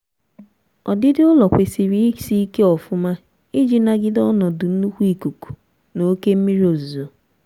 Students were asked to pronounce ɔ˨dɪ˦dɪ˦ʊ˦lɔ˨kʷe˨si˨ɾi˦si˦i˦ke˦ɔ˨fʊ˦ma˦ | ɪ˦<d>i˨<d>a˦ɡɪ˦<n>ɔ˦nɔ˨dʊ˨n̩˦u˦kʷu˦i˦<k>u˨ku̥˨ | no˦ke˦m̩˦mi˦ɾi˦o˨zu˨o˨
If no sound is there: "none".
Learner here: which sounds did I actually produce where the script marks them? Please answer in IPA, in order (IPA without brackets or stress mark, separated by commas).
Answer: d͡ʒ, n, d, k